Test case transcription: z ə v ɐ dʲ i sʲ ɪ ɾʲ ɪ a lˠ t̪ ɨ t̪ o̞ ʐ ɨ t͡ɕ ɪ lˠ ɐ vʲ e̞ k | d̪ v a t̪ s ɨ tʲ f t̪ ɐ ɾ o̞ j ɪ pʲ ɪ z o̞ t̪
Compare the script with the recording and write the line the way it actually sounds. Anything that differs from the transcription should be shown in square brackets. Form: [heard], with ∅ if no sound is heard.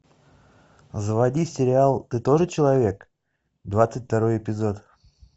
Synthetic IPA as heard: z ə v ɐ dʲ i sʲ ɪ ɾʲ ɪ a lˠ t̪ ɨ t̪ o̞ ʐ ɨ t͡ɕ ɪ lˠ ɐ vʲ e̞ k | d̪ v a t̪ s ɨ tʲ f t̪ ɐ ɾ o̞ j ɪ pʲ ɪ z o̞ t̪

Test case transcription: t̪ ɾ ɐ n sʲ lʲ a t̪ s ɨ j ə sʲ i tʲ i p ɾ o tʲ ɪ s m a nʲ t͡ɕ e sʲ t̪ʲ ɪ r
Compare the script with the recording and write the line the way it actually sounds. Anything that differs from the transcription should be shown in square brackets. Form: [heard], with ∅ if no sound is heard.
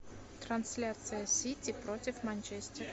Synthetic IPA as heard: t̪ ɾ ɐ n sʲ lʲ a t̪ s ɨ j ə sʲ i tʲ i p ɾ o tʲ ɪ [f] m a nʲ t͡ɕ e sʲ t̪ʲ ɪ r

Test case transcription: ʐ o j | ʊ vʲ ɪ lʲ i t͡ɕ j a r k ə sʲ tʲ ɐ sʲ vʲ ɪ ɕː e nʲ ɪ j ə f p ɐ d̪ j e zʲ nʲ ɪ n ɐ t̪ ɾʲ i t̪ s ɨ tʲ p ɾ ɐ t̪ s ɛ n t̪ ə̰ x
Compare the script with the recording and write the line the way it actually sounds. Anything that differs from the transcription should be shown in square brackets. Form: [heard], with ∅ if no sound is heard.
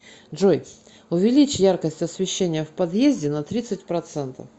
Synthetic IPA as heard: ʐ o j | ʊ vʲ ɪ lʲ i t͡ɕ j a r k ə sʲ tʲ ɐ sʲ vʲ ɪ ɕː e nʲ ɪ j ə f p ɐ d̪ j e zʲ [dʲ] ɪ n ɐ t̪ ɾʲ i t̪ s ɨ tʲ p ɾ ɐ t̪ s ɛ n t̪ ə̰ [f]

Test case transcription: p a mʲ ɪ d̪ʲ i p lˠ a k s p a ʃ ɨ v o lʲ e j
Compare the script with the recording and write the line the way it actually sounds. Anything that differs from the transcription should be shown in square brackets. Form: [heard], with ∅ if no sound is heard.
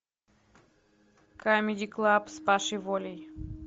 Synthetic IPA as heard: [k] a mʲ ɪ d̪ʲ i [k] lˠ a [p] s p a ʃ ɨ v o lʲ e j

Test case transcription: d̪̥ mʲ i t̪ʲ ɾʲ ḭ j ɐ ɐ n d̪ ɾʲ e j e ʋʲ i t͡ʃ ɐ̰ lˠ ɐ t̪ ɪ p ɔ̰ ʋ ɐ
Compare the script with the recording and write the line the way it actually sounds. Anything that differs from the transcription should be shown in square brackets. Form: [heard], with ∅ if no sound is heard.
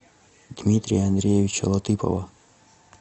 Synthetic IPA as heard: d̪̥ mʲ i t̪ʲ ɾʲ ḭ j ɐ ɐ n d̪ ɾʲ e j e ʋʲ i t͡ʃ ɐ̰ lˠ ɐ t̪ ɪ p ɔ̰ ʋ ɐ

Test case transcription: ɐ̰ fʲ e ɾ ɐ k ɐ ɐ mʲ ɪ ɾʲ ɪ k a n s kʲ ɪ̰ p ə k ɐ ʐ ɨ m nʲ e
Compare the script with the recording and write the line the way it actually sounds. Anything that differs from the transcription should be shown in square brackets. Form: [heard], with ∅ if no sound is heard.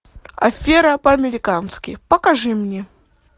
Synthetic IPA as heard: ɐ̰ fʲ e ɾ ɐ [p] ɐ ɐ mʲ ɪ ɾʲ ɪ k a n s kʲ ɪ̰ p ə k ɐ ʐ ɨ m nʲ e

